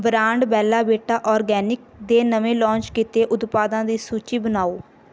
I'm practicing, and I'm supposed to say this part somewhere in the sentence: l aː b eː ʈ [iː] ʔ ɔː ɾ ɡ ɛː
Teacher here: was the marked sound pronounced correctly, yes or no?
no